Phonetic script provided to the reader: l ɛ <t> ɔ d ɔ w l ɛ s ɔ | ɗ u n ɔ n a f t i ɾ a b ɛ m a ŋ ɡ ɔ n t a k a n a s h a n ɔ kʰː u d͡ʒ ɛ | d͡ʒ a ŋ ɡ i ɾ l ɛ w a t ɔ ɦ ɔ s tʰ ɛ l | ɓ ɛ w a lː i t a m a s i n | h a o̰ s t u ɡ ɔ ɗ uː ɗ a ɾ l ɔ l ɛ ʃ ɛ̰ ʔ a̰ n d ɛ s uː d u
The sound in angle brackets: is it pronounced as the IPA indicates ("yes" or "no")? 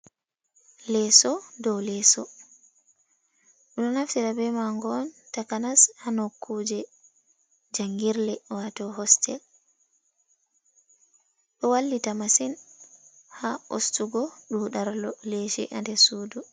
no